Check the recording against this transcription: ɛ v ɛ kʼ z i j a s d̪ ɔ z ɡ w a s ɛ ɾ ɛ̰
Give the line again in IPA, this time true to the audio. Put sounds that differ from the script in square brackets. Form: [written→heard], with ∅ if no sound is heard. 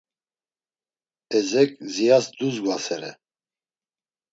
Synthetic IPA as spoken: ɛ [v→z] ɛ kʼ z i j a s d̪ [ɔ→u] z ɡ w a s ɛ ɾ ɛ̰

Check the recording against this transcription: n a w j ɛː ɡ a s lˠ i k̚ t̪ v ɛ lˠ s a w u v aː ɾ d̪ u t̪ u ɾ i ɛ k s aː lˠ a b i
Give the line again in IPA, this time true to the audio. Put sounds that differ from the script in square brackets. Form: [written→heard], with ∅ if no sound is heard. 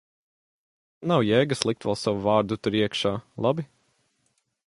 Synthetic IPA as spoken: n a w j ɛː ɡ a s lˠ i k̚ t̪ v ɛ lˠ s a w u v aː ɾ d̪ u t̪ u ɾ i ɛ k [s→ʃ] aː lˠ a b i

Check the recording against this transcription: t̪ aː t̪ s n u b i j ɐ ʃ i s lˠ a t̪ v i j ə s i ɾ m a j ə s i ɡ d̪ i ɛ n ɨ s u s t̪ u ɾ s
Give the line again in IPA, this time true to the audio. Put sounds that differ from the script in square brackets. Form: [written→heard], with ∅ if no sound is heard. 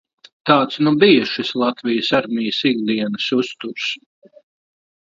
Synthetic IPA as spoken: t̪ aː t̪ s n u b i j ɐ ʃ i s lˠ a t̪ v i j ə s [i→a] ɾ m [a→i] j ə s i ɡ d̪ i ɛ n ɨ s u s t̪ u ɾ s

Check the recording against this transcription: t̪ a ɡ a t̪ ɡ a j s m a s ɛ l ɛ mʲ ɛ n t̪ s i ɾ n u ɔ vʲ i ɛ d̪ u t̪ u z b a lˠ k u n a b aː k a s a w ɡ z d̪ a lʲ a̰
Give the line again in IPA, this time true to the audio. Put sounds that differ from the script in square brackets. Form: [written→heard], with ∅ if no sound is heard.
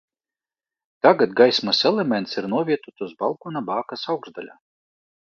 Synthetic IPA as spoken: t̪ a ɡ a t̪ ɡ a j s m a s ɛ l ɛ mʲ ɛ n t̪ s i ɾ n u ɔ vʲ i ɛ [d̪→t̪] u t̪ u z b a lˠ k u n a b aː k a s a w ɡ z d̪ a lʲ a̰

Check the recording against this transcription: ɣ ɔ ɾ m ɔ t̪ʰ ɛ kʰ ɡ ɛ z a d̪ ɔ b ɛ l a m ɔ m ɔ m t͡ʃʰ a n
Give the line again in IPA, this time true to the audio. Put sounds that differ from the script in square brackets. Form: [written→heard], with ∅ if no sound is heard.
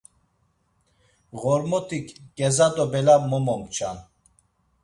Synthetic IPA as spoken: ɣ ɔ ɾ m ɔ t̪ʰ [ɛ→i] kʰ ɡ ɛ z a d̪ ɔ b ɛ l a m ɔ m ɔ m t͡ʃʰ a n

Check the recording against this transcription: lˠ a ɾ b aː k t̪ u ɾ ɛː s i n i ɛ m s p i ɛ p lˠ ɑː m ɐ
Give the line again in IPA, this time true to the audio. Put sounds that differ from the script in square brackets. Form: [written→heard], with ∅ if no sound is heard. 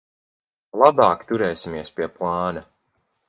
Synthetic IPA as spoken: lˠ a [ɾ→∅] b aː k t̪ u ɾ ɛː s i [n→m] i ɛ [m→∅] s p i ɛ p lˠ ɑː [m→n] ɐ

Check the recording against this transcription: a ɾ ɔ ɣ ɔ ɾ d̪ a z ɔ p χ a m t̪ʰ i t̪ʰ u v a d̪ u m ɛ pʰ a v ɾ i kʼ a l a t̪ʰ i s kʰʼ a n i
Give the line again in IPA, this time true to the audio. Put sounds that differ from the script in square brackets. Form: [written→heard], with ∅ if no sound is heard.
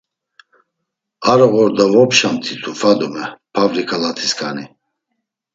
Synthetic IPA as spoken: a ɾ ɔ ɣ ɔ ɾ d̪ a [z→v] ɔ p [χ→ʃ] a m t̪ʰ i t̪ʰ u [v→f] a d̪ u m ɛ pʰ a v ɾ i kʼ a l a t̪ʰ i s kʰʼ a n i

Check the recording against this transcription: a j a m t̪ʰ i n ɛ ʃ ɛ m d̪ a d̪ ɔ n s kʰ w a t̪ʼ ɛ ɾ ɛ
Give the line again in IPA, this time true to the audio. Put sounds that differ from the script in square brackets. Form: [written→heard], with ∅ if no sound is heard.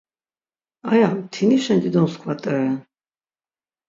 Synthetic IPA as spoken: a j a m t̪ʰ i n [ɛ→i] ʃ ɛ [m→n] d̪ [a→i] d̪ ɔ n s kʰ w a t̪ʼ ɛ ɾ ɛ

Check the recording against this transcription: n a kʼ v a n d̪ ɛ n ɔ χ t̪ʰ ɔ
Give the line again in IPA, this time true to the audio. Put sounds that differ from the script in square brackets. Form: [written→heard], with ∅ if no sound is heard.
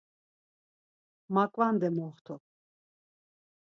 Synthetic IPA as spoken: [n→m] a kʼ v a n d̪ ɛ [n→m] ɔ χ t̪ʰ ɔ

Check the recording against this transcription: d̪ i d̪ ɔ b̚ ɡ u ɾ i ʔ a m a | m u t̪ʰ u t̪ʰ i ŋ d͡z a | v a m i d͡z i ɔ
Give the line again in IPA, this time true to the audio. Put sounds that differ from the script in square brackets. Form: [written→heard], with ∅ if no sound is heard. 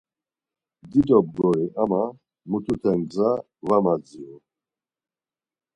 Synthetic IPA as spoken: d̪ i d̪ ɔ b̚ ɡ [u→ɔ] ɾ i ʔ a m a | m u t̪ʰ u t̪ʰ [i→ɛ] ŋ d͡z a | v a m [i→a] d͡z i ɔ

